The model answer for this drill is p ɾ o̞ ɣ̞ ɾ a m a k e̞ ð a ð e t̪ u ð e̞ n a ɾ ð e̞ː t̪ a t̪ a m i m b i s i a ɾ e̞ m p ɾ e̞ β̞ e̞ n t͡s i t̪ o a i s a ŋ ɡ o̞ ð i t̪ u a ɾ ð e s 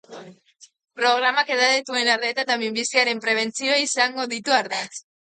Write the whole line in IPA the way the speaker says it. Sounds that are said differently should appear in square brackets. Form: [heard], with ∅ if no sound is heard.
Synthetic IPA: p ɾ o̞ ɣ̞ ɾ a m a k e̞ ð a ð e t̪ u [∅] e̞ n a ɾ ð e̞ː t̪ a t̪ a m i m b i s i a ɾ e̞ m p ɾ e̞ β̞ e̞ n t͡s i [∅] o a i s a ŋ ɡ o̞ ð i t̪ u a ɾ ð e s